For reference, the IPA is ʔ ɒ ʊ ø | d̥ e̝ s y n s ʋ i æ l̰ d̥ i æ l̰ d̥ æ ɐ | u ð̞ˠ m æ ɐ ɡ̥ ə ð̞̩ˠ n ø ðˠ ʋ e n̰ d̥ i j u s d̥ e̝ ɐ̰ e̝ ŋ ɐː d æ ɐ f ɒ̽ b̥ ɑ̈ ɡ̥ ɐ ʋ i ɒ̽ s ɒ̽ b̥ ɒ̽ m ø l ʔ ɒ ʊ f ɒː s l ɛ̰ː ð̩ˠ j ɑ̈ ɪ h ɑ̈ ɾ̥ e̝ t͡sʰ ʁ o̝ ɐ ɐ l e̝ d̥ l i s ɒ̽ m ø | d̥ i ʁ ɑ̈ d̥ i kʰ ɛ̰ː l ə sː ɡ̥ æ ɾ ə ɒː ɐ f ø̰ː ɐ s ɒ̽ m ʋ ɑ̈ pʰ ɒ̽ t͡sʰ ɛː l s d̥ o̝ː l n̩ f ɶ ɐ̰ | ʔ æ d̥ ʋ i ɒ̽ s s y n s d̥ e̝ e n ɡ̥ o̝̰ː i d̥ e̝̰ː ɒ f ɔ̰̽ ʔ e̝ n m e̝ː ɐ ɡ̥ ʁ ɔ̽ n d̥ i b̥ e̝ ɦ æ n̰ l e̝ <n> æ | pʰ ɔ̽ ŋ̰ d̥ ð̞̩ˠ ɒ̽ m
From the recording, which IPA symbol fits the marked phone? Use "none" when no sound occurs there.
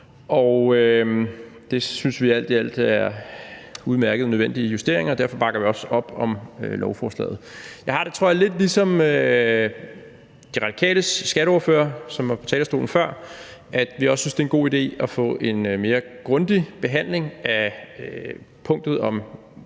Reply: ŋ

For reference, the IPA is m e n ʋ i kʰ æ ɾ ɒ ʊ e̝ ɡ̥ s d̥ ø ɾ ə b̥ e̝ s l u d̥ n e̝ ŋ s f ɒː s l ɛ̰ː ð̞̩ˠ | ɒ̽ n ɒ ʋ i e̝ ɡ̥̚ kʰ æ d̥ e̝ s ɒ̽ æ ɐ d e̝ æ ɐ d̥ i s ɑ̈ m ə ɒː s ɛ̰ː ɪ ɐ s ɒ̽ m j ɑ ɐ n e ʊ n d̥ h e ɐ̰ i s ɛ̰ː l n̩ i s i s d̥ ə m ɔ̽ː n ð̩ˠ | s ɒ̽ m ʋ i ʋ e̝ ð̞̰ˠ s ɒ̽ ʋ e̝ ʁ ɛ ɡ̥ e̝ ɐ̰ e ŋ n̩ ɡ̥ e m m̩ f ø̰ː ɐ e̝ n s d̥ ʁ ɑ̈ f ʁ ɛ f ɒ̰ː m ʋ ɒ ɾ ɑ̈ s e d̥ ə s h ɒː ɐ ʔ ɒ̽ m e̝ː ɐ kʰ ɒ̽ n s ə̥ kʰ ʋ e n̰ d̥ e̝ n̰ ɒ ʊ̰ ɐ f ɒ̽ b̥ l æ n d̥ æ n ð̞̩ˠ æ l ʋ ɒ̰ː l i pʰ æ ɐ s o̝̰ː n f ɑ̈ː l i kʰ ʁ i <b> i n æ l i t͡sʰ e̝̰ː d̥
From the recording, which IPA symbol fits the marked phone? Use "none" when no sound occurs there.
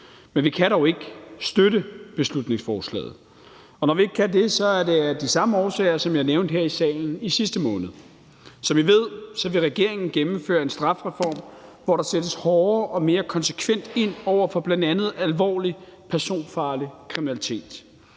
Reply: m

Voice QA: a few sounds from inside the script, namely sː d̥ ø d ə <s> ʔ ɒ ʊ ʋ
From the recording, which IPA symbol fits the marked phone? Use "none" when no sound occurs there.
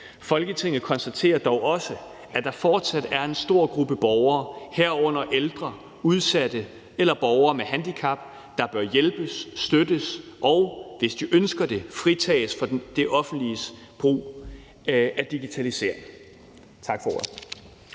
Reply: s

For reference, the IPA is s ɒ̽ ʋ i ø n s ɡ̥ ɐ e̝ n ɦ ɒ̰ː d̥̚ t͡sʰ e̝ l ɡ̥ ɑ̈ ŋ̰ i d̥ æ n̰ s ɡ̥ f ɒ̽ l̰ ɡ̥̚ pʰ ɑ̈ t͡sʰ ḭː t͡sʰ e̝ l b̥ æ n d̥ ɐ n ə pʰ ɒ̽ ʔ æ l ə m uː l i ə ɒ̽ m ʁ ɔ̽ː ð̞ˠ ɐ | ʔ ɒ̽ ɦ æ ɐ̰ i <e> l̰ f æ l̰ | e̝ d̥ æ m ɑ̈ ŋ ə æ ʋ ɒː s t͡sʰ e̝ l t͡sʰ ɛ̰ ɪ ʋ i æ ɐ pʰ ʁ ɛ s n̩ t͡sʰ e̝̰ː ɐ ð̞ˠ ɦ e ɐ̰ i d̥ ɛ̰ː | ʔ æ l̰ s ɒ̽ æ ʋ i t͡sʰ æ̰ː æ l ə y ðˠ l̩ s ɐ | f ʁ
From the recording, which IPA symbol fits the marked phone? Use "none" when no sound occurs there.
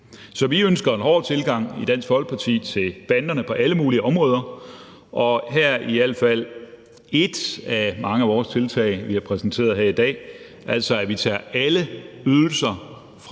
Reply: æ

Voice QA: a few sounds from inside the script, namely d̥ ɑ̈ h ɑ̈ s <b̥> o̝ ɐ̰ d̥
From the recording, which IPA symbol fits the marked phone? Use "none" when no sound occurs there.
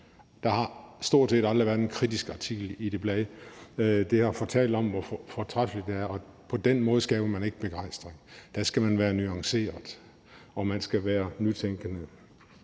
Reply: d̥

